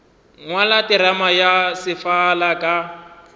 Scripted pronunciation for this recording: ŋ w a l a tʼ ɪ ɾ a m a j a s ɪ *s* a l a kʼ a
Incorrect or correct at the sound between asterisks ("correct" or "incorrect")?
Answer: incorrect